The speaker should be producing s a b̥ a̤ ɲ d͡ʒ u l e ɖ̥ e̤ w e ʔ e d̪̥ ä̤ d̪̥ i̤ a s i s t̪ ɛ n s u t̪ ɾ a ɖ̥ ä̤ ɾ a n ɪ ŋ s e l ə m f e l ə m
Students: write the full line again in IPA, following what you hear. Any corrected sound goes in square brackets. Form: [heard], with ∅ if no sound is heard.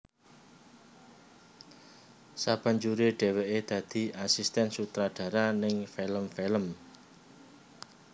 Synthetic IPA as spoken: s a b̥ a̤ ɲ d͡ʒ u [ɾ] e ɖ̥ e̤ w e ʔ e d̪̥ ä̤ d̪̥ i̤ a s i s t̪ ɛ n s u t̪ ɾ a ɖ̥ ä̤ ɾ a n ɪ ŋ [f] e l ə m f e l ə m